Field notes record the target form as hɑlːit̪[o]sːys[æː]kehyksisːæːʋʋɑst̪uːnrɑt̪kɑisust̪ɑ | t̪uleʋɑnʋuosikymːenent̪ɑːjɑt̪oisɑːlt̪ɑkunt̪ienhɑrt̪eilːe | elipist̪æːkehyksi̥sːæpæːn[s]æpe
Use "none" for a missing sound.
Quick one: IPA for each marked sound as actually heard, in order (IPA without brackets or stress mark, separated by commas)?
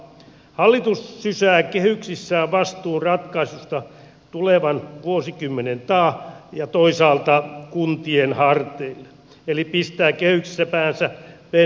u, æː, s